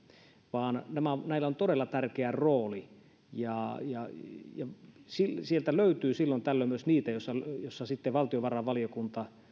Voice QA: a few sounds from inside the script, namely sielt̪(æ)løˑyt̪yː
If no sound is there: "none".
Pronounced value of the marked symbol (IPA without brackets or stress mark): æ